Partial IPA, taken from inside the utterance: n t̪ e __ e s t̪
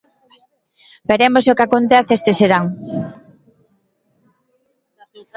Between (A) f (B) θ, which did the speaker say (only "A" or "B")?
B